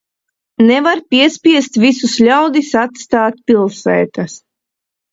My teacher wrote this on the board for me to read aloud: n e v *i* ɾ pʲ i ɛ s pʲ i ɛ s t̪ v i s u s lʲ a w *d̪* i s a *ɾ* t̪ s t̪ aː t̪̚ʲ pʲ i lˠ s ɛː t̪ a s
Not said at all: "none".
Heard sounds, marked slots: a, d̪, none

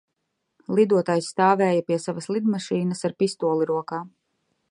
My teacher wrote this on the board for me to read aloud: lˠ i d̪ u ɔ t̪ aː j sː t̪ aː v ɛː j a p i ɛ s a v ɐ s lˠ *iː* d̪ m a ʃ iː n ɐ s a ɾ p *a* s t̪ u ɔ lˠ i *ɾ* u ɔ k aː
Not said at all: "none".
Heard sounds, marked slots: i, i, ɾ

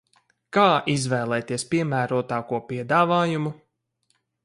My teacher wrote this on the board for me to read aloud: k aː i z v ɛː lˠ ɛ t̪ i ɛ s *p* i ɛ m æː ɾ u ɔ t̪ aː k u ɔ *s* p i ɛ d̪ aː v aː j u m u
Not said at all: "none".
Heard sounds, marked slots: p, none

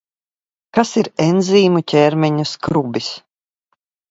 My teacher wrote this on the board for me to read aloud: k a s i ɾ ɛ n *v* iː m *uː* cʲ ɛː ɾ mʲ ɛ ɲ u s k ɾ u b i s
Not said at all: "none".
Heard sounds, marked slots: z, u

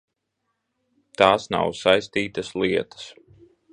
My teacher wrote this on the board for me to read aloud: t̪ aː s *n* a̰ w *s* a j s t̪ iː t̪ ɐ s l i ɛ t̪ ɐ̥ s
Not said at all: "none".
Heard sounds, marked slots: n, s

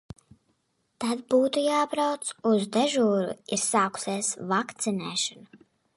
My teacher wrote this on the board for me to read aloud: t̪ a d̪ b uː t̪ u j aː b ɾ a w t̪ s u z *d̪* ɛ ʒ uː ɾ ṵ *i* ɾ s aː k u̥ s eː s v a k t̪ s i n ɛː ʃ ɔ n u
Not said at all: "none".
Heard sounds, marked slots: d̪, i

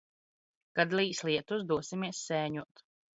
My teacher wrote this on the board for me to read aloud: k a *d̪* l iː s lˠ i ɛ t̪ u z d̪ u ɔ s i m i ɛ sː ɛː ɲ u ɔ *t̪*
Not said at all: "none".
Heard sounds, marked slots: d̪, t̪

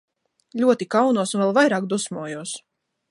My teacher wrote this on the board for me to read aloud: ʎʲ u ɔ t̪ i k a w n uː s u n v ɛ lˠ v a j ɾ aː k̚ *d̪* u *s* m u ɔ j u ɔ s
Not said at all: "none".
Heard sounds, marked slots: d̪, s

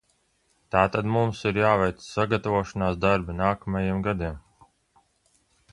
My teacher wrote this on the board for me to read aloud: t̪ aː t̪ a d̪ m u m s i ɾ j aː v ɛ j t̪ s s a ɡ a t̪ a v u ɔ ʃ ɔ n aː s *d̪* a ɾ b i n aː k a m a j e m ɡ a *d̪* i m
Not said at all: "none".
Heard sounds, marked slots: d̪, d̪

